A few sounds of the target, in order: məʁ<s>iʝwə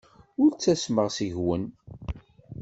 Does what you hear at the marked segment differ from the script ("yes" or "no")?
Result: no